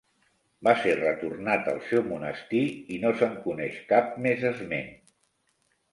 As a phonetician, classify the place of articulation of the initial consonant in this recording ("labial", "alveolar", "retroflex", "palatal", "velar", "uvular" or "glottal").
labial